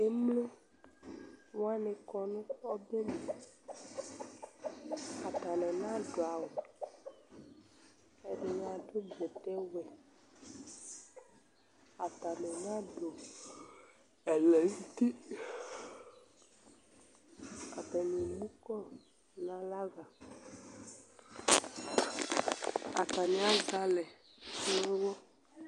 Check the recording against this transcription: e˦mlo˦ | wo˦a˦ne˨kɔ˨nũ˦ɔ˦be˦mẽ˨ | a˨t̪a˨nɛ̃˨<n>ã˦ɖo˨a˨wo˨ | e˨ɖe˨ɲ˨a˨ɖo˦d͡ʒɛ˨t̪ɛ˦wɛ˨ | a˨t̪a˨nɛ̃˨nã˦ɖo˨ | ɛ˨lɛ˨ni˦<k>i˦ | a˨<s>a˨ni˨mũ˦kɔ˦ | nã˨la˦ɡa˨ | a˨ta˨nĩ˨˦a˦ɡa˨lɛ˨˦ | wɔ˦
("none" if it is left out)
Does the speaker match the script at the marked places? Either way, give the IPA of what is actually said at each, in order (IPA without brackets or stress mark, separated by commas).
n, t, t